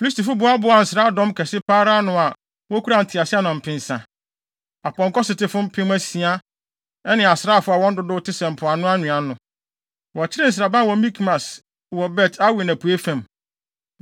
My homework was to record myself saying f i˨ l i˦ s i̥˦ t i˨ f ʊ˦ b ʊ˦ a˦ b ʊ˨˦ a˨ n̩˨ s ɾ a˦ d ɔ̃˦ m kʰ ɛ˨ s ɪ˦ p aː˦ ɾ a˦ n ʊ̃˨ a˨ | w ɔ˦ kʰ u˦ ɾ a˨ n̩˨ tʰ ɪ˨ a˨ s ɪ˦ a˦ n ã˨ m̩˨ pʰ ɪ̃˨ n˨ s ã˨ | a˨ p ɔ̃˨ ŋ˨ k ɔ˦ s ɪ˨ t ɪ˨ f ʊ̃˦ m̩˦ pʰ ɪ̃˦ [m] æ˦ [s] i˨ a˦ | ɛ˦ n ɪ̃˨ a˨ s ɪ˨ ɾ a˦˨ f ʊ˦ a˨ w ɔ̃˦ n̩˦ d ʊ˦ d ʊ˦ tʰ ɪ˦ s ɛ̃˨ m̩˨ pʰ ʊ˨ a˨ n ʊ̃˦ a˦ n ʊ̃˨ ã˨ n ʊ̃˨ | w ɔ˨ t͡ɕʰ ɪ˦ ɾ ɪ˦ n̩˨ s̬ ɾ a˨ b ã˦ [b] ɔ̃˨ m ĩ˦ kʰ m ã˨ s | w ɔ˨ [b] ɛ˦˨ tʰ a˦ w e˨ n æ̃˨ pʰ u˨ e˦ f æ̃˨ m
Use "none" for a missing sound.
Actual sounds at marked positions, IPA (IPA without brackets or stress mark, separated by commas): m, s, w, b